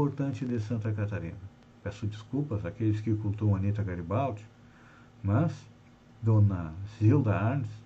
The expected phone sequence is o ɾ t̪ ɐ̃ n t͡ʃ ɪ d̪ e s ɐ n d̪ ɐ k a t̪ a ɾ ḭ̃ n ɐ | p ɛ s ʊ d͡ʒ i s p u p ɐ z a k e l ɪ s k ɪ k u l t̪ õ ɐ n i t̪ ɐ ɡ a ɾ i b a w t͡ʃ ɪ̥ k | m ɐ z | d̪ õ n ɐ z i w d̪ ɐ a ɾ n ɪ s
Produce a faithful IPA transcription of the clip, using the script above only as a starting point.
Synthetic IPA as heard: o ɾ t̪ ɐ̃ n t͡ʃ ɪ d̪ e s ɐ̃ n t̪ ɐ k a t̪ a ɾ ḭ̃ n ɐ | p ɛ s ʊ d͡ʒ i s k u p ɐ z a k e l ɪ s k ɪ k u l t̪ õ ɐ n i t̪ ɐ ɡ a ɾ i b a w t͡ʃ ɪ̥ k | m ɐ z | d̪ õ n ɐ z i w d̪ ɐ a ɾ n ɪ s